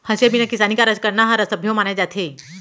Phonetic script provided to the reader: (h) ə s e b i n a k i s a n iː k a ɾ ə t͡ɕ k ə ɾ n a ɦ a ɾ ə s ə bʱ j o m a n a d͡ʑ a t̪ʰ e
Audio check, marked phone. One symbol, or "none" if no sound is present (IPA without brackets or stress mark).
h